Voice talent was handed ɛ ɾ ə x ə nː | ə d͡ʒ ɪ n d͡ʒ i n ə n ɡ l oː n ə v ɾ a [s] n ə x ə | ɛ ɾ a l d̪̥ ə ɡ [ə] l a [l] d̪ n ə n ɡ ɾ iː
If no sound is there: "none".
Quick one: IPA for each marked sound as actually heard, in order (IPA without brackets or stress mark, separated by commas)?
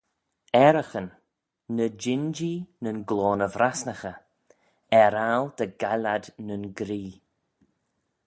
s, a, none